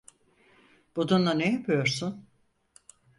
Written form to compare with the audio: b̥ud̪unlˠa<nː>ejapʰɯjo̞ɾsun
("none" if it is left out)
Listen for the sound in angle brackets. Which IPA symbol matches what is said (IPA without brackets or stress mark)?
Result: n